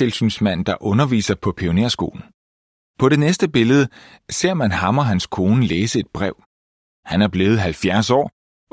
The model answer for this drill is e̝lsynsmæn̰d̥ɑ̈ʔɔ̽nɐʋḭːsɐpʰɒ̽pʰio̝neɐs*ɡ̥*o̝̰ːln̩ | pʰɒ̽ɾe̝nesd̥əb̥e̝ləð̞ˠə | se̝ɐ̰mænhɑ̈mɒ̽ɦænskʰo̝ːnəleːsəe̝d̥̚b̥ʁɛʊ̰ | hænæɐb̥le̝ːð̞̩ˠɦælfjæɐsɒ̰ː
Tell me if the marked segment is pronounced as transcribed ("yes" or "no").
yes